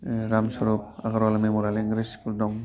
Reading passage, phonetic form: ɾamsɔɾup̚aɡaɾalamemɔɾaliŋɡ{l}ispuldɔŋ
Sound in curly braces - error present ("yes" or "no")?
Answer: yes